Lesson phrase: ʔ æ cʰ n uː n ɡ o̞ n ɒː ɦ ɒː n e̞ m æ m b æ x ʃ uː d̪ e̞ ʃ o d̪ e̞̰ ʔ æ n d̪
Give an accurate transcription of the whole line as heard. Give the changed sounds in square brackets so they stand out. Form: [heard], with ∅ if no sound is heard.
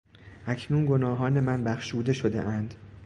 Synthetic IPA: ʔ æ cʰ n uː n ɡ o̞ n ɒː ɦ ɒː n e̞ m æ [n] b æ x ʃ uː d̪ e̞ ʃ o d̪ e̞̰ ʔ æ n d̪